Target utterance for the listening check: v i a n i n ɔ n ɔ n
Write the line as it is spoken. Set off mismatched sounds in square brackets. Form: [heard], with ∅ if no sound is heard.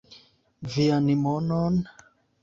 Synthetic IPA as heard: v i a n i [m] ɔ n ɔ n